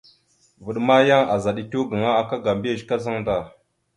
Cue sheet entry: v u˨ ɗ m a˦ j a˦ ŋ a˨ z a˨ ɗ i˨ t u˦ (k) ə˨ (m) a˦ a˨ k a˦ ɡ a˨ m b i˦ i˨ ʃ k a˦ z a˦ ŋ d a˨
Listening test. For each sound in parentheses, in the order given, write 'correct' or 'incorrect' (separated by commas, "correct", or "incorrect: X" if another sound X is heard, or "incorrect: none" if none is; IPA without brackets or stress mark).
incorrect: ɡ, incorrect: ŋ